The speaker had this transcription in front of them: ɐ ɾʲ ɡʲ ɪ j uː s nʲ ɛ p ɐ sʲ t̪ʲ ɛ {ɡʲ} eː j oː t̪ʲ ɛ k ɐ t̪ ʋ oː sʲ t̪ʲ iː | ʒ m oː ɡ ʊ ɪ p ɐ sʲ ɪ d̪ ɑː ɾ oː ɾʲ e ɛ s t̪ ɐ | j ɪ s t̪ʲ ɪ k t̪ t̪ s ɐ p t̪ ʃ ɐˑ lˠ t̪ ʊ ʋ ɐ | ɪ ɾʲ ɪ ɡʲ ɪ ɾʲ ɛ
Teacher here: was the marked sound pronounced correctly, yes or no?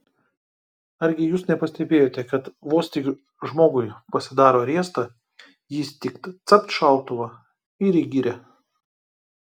no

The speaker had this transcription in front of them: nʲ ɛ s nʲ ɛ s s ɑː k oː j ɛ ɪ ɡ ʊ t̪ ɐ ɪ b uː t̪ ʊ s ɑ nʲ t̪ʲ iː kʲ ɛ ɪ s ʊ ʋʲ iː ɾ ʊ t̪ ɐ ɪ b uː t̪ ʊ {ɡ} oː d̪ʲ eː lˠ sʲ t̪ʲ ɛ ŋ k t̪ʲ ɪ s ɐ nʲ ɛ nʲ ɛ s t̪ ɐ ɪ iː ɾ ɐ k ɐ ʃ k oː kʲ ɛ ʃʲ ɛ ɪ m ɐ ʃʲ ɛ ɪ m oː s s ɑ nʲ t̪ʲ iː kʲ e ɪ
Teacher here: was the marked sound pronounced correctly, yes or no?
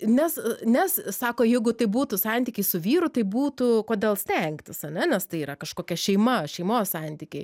no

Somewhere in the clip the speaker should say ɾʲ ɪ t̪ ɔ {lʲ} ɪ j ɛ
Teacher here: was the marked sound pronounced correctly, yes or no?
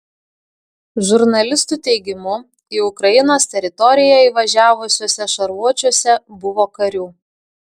no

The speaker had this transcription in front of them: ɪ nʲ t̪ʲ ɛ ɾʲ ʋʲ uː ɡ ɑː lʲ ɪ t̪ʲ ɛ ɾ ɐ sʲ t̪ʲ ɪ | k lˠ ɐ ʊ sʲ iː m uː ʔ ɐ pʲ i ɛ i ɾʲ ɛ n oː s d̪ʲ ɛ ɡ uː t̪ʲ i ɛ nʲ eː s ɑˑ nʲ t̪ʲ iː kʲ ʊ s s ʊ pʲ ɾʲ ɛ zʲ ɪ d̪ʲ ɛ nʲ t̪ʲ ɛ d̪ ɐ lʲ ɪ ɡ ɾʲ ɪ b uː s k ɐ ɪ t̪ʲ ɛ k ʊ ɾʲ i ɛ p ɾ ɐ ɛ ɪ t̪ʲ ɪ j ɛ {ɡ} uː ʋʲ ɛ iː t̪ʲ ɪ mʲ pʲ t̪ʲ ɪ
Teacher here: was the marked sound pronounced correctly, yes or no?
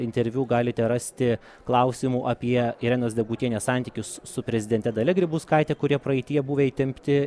no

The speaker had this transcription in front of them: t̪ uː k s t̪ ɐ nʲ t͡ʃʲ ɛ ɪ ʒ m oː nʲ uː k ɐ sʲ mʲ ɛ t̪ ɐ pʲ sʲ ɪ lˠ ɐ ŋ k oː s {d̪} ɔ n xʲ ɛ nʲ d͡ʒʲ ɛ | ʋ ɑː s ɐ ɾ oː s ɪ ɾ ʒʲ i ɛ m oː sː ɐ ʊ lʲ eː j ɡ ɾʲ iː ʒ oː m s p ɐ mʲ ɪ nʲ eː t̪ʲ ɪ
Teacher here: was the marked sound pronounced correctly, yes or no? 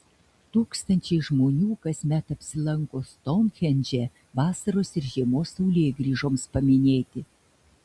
no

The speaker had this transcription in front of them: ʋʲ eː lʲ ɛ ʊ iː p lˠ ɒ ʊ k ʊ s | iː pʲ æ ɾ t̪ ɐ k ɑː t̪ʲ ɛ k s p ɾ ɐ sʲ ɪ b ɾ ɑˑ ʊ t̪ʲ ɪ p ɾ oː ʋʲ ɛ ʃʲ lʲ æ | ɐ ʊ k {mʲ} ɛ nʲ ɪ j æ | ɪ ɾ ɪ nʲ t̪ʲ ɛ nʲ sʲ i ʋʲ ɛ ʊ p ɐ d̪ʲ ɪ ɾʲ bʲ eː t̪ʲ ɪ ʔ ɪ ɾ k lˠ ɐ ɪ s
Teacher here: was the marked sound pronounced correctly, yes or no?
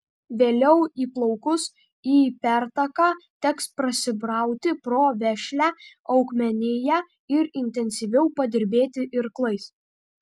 yes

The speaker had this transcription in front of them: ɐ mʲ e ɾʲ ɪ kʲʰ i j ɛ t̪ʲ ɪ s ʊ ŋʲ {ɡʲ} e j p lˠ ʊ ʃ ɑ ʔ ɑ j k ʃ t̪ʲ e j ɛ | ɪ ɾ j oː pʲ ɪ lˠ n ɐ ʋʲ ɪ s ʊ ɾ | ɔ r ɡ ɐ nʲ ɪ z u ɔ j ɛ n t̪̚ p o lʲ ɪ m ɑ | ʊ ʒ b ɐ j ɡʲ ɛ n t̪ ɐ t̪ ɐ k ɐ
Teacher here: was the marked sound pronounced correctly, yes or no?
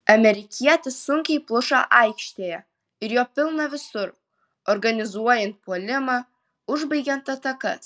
no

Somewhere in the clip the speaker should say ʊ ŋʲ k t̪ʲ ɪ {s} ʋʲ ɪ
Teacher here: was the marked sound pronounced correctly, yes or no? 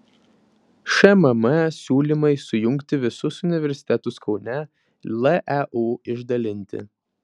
no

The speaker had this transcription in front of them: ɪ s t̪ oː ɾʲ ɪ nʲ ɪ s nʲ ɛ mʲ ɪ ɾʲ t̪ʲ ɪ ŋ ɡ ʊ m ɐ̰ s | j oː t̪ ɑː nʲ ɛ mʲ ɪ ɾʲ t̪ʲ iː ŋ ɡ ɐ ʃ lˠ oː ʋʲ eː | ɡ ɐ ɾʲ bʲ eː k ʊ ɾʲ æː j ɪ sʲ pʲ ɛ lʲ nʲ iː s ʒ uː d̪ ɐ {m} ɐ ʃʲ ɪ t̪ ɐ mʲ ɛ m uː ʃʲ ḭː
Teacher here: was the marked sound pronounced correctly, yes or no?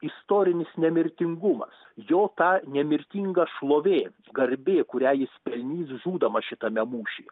yes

